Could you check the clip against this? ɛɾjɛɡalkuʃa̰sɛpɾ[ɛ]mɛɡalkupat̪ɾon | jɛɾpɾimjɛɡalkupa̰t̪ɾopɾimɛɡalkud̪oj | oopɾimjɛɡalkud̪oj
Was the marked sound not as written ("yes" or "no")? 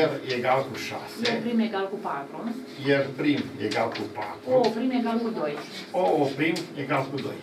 yes